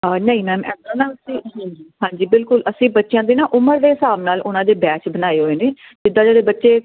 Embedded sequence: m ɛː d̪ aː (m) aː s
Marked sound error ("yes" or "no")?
yes